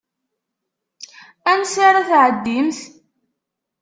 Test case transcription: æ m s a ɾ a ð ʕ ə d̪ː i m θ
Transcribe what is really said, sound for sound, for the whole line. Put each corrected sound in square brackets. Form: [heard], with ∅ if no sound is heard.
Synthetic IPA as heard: æ [n] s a ɾ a [θ] ʕ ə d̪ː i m θ